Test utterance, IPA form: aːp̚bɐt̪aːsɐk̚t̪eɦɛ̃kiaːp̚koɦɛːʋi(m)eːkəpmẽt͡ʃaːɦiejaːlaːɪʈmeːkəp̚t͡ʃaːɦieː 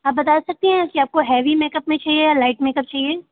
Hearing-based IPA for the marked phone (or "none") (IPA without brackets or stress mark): m